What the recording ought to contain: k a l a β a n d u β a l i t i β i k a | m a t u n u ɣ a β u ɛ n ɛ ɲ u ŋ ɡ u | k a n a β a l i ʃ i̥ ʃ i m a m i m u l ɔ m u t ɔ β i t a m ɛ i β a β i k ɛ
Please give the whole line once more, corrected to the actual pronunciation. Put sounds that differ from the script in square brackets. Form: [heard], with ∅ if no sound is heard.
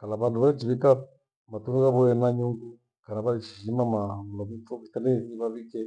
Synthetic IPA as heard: k a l a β a n d u β a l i [t͡ʃ] i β i k a | m a t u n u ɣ a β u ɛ n [a] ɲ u ŋ ɡ u | k a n a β a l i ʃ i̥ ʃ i m a m [a] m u l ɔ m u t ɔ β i t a [n] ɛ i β a β i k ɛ